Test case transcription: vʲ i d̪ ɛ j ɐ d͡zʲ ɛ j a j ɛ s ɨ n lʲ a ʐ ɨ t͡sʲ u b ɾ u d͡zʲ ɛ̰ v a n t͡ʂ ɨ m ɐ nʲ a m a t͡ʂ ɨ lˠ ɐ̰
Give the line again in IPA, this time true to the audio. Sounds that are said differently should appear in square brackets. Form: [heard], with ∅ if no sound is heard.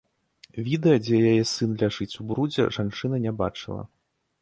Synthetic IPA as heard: vʲ i d̪ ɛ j ɐ d͡zʲ ɛ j a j ɛ s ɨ n lʲ a ʐ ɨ t͡sʲ u b ɾ u d͡zʲ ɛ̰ [ʐ] a n t͡ʂ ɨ [n] ɐ nʲ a [b] a t͡ʂ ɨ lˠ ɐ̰